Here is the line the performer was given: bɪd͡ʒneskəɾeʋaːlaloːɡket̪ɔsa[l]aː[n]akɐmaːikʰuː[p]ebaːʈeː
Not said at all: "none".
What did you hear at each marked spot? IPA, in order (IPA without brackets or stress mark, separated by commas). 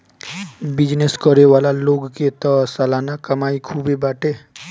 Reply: l, n, b